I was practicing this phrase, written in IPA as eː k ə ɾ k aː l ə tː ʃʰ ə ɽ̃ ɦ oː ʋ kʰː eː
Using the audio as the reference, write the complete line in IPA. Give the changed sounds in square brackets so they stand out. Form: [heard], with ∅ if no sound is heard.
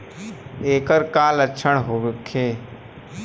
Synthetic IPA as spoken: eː k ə ɾ k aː l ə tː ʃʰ ə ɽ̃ ɦ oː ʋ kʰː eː